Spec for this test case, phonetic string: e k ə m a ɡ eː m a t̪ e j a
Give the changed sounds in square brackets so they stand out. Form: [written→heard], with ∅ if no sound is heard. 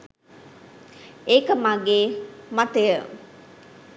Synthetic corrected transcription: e k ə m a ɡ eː m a t̪ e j [a→ə]